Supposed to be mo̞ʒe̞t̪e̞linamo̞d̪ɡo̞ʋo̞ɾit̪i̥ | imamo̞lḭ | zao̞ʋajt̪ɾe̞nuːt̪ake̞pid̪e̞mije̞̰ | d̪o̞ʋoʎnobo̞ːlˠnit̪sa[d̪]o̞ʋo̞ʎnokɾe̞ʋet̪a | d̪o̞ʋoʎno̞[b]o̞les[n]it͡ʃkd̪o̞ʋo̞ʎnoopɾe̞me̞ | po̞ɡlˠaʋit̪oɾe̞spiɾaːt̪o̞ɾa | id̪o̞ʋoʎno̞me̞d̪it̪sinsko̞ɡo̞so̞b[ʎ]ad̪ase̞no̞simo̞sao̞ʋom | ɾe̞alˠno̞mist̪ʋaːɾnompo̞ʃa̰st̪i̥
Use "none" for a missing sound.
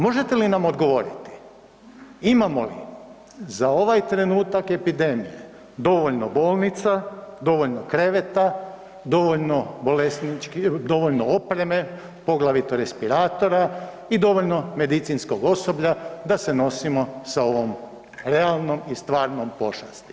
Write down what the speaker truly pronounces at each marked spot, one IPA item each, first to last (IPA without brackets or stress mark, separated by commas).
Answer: d̪, b, n, ʎ